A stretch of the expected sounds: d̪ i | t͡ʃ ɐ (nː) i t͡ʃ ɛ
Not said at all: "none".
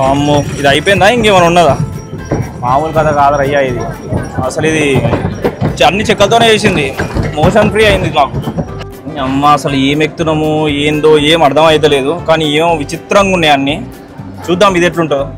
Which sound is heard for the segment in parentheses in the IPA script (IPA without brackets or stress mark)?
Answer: nː